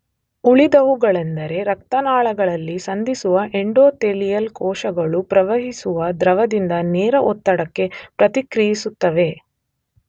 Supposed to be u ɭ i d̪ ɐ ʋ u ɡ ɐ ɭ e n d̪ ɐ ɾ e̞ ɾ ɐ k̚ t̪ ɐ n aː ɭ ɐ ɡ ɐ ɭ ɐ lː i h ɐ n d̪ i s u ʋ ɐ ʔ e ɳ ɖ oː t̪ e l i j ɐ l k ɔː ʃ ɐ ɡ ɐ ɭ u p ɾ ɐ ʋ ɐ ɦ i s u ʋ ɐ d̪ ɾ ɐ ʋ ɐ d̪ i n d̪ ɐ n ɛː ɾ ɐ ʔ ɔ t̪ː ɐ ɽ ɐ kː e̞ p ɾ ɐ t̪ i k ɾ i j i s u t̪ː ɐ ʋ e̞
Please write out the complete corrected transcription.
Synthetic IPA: u ɭ i d̪ ɐ ʋ u ɡ ɐ ɭ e n d̪ ɐ ɾ e̞ ɾ ɐ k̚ t̪ ɐ n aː ɭ ɐ ɡ ɐ ɭ ɐ lː i s ɐ n d̪ i s u ʋ ɐ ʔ e ɳ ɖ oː t̪ e l i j ɐ l k ɔː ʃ ɐ ɡ ɐ ɭ u p ɾ ɐ ʋ ɐ ɦ i s u ʋ ɐ d̪ ɾ ɐ ʋ ɐ d̪ i n d̪ ɐ n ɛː ɾ ɐ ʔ ɔ t̪ː ɐ ɽ ɐ kː e̞ p ɾ ɐ t̪ i k ɾ i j i s u t̪ː ɐ ʋ e̞